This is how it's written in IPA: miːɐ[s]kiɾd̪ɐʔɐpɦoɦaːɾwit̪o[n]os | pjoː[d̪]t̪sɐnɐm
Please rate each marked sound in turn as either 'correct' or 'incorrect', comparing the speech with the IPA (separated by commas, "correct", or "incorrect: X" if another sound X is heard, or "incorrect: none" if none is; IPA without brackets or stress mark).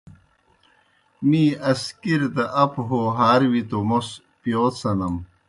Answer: correct, incorrect: m, incorrect: none